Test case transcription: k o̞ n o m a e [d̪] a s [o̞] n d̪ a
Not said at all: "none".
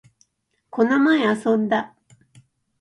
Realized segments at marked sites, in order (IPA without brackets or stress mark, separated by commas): none, õ̞